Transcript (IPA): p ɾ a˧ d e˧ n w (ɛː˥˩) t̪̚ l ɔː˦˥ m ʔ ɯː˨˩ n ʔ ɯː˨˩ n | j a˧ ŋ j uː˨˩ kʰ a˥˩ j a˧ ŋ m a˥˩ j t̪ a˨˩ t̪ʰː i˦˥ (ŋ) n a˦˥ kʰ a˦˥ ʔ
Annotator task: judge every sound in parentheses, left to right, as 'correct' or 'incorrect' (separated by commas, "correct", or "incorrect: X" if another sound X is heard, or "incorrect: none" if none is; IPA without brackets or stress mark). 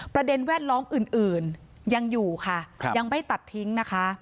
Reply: correct, correct